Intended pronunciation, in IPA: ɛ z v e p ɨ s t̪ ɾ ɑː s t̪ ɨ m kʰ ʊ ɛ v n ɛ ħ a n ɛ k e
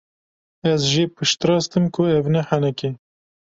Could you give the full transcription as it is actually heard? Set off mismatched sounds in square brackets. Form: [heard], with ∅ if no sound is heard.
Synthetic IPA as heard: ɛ z [ʒ] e p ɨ [ʃ] t̪ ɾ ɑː s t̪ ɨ m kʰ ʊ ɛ v n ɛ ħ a n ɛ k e